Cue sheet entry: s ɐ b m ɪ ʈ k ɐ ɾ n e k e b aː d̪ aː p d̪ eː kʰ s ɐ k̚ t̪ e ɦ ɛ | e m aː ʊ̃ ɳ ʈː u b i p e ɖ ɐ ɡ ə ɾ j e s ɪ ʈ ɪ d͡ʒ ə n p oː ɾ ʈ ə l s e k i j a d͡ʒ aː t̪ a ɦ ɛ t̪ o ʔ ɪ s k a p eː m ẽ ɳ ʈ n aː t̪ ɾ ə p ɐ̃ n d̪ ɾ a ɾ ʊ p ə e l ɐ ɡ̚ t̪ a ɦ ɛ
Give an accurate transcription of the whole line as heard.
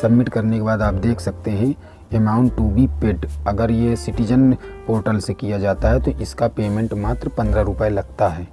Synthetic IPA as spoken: s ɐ b m ɪ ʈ k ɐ ɾ n e k e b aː d̪ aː p d̪ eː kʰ s ɐ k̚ t̪ e ɦ ɛ̃ | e m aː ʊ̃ ɳ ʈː u b i p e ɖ ɐ ɡ ə ɾ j e s ɪ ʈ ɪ d͡ʒ ə n p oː ɾ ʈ ə l s e k i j a d͡ʒ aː t̪ a ɦ ɛ t̪ o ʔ ɪ s k a p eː m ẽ ɳ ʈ m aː t̪ ɾ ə p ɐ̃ n d̪ ɾ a ɾ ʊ p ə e l ɐ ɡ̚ t̪ a ɦ ɛː